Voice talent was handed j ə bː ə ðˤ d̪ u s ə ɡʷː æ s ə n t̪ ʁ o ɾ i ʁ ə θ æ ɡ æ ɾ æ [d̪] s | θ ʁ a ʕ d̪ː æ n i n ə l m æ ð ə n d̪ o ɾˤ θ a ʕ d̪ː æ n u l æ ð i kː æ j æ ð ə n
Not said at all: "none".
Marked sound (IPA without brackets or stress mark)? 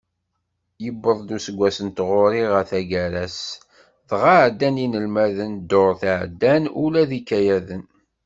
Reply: none